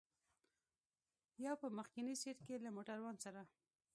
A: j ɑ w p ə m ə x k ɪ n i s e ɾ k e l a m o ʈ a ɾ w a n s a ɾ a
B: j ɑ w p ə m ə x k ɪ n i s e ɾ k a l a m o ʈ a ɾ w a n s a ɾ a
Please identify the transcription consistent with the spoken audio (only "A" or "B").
A